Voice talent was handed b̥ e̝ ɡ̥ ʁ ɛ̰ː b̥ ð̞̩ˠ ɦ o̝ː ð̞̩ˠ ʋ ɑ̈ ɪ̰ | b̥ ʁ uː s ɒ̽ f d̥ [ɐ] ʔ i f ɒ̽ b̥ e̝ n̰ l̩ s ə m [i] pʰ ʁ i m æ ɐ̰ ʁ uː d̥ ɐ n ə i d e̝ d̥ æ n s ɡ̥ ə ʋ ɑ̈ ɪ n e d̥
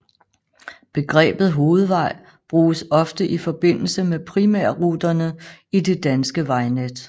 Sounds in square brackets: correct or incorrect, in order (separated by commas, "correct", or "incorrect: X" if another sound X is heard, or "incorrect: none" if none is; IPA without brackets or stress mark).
incorrect: ə, incorrect: e